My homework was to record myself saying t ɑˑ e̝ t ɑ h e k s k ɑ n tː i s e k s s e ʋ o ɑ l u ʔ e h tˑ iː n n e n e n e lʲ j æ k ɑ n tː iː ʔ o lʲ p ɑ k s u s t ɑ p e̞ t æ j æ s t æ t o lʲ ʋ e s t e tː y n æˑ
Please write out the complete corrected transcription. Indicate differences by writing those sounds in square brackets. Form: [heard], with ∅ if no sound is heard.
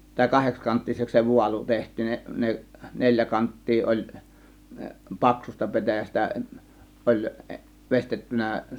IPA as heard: t ɑˑ e̝ [k] ɑ h e k s k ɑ n tː i s e k s s e ʋ [u] ɑ l u [t] e h tˑ iː n n e n e n e lʲ j æ k ɑ n tː iː ʔ o lʲ p ɑ k s u s t ɑ p e̞ t æ j æ s t æ [ʔ] o lʲ ʋ e s t e tː y n æˑ